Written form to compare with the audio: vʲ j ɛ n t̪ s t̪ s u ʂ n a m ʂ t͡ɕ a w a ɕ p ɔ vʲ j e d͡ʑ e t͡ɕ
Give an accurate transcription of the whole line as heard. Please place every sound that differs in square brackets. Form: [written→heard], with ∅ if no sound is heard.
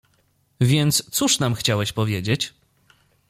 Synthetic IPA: vʲ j ɛ n t̪ s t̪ s u ʂ n a m [ʂ→x] t͡ɕ a w [a→ɛ] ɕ p ɔ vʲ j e d͡ʑ e t͡ɕ